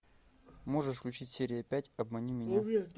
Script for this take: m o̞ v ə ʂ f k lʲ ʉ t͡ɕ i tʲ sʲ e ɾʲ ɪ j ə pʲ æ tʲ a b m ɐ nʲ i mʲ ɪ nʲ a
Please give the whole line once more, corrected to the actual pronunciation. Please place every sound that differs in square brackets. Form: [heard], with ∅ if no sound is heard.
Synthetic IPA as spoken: m o̞ [ʐ] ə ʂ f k lʲ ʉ t͡ɕ i tʲ sʲ e ɾʲ ɪ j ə pʲ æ tʲ [ɐ] b m ɐ nʲ i mʲ ɪ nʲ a